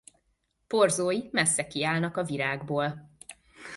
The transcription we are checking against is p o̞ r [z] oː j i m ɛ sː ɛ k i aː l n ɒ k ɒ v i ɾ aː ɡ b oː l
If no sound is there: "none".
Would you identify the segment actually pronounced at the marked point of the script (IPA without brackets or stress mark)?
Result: z